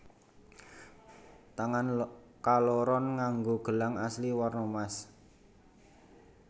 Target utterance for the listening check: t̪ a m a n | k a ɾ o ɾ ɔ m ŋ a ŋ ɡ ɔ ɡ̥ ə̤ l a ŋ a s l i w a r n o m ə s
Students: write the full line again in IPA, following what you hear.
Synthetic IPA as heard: t̪ a ŋ a n | k a l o ɾ ɔ n ŋ a ŋ ɡ o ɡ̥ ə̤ l a ŋ a s l i w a r n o m a s